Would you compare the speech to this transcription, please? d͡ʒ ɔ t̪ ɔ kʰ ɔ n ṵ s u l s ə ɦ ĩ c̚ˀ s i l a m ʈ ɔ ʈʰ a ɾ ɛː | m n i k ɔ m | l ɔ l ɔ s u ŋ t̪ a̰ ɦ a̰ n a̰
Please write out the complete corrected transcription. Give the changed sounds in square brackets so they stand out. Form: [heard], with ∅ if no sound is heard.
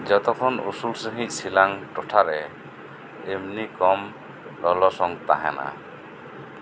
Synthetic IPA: d͡ʒ ɔ t̪ ɔ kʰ ɔ n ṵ s u l s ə ɦ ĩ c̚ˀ s i l a [ŋ] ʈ ɔ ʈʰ a ɾ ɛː | m n i k ɔ m | l ɔ l ɔ s [ɔ] ŋ t̪ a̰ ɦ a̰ n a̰